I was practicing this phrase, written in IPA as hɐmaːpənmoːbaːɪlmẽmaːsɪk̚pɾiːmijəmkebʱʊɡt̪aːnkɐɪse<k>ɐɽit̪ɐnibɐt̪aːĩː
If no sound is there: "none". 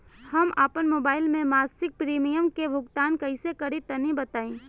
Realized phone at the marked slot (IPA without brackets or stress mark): k